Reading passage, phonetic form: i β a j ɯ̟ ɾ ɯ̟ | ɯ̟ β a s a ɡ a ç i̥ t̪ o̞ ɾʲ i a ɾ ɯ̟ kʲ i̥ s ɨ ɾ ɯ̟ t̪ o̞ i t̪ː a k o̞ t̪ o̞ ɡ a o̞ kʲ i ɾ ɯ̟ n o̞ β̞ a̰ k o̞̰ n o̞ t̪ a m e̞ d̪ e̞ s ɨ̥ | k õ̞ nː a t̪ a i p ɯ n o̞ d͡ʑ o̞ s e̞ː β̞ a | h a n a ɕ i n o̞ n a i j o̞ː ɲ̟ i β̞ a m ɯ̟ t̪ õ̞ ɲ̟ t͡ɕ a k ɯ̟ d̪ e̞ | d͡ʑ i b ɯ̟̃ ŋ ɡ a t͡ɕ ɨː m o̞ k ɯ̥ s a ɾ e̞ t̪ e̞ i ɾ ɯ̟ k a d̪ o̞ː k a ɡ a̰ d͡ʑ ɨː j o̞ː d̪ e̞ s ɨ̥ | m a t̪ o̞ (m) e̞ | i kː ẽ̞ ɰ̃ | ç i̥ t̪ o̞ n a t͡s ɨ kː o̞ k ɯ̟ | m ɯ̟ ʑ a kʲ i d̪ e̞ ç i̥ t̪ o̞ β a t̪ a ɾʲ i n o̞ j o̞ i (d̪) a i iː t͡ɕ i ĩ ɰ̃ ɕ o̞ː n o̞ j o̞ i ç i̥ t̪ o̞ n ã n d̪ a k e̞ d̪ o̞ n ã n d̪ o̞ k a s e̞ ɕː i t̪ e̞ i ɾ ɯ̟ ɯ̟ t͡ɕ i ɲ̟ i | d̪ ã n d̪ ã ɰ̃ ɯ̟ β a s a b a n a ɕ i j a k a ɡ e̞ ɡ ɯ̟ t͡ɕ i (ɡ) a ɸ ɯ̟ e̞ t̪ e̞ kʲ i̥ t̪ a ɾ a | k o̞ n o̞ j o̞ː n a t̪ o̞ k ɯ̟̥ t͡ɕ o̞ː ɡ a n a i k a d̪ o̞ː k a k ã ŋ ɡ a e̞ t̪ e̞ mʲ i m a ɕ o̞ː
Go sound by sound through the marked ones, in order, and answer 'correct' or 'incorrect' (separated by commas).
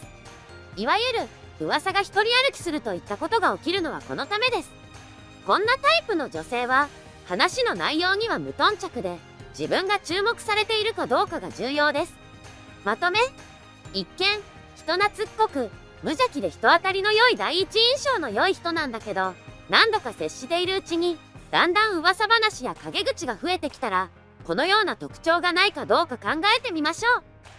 correct, correct, correct